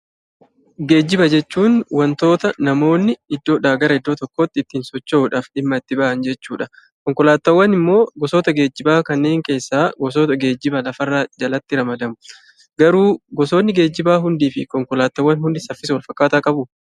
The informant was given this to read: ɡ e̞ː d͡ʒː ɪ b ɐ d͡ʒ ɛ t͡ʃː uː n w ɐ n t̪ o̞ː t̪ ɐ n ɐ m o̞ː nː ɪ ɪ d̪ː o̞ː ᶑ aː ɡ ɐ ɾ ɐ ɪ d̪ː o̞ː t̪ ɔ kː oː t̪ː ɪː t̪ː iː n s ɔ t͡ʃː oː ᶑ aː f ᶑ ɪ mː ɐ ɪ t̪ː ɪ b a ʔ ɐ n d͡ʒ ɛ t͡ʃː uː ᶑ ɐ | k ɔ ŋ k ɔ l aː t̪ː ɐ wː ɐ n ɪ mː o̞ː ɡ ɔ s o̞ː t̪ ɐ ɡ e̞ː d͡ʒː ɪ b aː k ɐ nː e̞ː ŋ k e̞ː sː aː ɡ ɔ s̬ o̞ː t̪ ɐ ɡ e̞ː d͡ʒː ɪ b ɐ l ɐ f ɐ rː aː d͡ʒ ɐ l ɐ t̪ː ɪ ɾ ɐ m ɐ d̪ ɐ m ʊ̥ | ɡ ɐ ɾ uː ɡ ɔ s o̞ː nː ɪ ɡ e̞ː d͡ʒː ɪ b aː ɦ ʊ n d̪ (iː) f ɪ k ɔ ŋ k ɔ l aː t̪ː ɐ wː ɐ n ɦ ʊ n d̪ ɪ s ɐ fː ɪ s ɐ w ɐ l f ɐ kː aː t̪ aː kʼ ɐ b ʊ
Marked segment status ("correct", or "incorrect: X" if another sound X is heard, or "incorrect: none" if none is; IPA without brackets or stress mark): correct